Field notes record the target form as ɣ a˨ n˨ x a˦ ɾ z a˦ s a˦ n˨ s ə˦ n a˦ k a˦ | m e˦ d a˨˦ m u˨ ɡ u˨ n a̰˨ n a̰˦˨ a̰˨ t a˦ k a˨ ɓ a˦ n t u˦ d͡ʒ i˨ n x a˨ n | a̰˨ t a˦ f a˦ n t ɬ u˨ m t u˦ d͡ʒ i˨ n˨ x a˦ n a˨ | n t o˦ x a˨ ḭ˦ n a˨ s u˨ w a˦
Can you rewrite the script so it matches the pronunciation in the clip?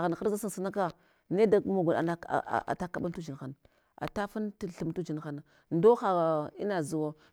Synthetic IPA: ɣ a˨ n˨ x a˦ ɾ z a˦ s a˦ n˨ s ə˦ n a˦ k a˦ | n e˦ d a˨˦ m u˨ ɡ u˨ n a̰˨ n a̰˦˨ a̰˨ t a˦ k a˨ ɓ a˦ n t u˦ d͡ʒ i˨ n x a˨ n | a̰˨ t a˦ f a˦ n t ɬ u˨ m t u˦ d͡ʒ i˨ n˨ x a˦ n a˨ | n d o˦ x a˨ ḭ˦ n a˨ z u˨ w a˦